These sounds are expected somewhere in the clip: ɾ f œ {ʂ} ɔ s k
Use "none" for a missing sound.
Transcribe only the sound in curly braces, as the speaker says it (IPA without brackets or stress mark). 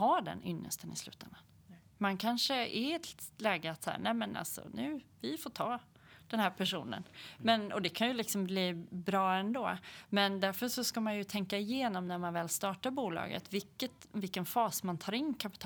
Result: ʂ